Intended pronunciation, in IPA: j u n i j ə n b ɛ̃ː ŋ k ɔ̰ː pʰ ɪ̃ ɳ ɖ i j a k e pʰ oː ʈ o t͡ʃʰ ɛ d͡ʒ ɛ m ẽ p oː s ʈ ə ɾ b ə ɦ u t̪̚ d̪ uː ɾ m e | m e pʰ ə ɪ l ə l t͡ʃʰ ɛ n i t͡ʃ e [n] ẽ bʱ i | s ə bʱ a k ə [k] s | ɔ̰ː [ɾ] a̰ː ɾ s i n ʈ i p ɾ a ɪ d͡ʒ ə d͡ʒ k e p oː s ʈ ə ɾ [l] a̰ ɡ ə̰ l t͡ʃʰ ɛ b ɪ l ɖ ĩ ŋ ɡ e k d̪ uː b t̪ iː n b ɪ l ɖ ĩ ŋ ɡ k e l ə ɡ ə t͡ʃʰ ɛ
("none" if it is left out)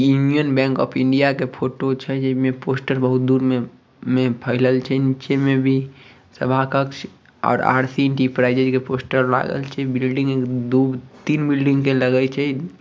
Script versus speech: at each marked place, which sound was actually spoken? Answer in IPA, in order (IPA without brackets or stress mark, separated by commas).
m, k, ɾ, l